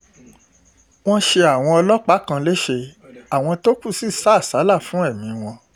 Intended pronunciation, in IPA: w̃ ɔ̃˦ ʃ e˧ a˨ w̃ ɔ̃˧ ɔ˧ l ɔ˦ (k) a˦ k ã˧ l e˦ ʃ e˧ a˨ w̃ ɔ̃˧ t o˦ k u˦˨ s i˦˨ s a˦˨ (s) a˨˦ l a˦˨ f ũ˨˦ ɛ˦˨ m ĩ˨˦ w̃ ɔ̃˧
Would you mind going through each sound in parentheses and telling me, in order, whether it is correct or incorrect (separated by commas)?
incorrect, correct